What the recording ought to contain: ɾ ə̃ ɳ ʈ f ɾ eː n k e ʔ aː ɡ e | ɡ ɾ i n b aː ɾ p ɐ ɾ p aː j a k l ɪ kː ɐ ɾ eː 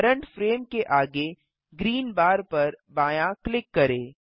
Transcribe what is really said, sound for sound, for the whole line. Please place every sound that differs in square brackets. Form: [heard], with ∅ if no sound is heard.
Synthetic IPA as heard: ɾ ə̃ ɳ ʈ f ɾ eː [m] k e ʔ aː ɡ e | ɡ ɾ [iː] n b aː ɾ p ɐ ɾ [b] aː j a k l ɪ kː ɐ ɾ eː